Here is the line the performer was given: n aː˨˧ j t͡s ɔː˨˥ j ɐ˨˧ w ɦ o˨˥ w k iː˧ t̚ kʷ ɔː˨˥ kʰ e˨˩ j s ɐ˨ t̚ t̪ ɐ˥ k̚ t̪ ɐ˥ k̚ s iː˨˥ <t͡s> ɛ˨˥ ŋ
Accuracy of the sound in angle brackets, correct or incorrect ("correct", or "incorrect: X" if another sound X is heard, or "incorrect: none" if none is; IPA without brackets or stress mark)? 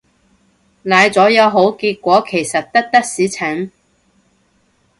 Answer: incorrect: t͡sʰ